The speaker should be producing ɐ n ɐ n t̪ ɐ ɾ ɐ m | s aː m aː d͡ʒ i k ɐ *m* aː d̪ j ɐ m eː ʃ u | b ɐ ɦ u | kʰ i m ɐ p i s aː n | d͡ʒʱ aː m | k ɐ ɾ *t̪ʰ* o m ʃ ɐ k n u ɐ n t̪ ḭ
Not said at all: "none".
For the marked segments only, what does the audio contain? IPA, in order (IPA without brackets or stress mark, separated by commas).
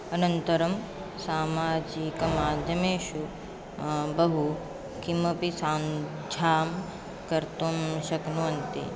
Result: m, t̪